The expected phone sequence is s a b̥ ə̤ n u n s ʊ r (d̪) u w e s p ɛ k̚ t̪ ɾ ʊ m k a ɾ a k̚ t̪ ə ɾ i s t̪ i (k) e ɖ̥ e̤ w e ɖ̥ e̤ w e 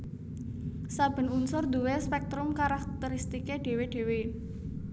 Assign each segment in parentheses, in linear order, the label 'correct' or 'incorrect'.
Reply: correct, correct

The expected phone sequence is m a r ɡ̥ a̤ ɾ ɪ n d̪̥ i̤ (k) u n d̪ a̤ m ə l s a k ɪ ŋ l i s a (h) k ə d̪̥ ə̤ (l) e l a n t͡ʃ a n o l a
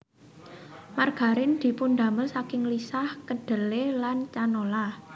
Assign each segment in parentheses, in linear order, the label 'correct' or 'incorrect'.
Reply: incorrect: p, correct, correct

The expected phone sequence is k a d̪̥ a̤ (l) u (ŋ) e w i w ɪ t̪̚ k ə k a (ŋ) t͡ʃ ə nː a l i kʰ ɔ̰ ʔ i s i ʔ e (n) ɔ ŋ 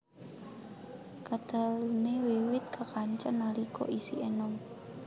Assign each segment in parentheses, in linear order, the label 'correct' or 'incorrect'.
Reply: correct, incorrect: n, incorrect: ɲ, correct

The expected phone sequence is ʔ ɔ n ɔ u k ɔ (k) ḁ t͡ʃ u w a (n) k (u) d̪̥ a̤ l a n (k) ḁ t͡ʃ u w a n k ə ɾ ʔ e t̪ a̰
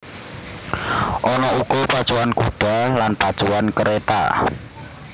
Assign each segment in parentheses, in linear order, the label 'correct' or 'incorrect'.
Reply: incorrect: p, correct, correct, incorrect: p

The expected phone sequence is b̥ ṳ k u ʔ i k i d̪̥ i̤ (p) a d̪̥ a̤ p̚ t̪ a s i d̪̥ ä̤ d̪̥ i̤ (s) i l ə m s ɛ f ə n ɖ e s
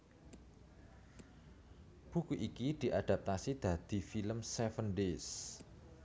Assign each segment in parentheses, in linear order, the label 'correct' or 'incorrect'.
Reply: incorrect: ʔ, incorrect: f

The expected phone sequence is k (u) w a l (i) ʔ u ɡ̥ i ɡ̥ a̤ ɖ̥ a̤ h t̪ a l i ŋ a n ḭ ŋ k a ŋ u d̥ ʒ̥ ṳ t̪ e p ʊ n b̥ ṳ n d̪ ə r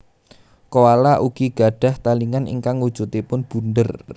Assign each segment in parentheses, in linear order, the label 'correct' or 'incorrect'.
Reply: incorrect: o, incorrect: a

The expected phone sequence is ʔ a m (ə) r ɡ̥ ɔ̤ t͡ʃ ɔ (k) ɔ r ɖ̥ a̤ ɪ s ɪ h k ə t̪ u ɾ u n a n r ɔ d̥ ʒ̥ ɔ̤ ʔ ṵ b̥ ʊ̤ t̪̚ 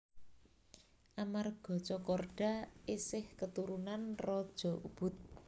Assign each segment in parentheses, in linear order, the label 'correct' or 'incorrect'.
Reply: incorrect: a, correct

